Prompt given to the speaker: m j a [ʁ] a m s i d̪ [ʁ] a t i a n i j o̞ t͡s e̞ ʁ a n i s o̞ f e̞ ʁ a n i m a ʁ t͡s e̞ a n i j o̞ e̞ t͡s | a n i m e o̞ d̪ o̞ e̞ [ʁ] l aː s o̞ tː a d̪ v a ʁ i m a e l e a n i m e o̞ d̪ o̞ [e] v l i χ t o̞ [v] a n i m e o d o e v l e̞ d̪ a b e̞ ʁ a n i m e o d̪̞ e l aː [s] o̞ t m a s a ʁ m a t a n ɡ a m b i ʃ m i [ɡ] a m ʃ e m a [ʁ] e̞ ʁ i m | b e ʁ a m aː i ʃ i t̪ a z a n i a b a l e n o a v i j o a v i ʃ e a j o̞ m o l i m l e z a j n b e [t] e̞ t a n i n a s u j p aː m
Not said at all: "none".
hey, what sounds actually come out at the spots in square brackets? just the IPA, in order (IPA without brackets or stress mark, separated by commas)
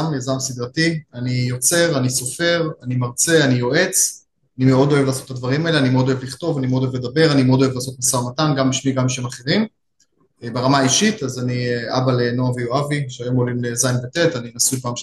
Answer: z, ʁ, v, e, v, s, ɡ, χ, t